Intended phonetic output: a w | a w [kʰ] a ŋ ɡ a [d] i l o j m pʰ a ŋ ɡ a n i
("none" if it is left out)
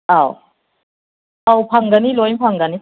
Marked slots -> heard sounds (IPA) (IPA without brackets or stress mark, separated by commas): pʰ, n